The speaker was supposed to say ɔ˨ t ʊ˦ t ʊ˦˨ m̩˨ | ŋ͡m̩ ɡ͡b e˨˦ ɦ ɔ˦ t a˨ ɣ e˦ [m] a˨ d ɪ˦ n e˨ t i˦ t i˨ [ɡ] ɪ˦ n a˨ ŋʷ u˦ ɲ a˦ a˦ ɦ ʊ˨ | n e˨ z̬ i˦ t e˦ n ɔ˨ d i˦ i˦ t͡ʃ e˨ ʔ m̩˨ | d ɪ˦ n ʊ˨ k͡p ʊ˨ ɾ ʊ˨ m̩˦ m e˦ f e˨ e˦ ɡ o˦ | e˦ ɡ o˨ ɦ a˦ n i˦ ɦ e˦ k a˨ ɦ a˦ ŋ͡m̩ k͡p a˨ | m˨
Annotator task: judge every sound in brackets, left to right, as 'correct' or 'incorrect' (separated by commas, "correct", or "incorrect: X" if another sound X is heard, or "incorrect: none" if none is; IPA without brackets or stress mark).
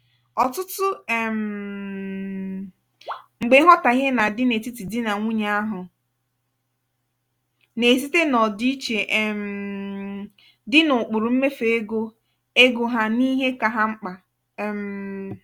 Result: incorrect: n, incorrect: d